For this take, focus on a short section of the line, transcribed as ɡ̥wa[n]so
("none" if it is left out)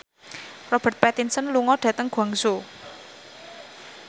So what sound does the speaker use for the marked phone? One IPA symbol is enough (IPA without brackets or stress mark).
ŋ